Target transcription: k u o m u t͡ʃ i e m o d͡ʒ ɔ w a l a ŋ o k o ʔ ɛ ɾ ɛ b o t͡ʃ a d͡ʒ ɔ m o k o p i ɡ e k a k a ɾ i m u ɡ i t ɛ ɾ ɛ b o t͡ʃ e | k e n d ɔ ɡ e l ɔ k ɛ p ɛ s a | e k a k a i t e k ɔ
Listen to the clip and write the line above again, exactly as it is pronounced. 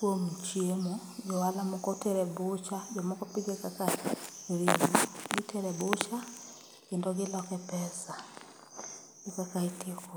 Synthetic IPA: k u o m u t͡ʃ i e m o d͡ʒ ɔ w a l a m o k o t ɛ ɾ ɛ b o t͡ʃ a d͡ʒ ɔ m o k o p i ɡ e k a k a ɾ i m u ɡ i t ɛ ɾ ɛ b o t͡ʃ a | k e n d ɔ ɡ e l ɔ k ɛ p ɛ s a | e k a k a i t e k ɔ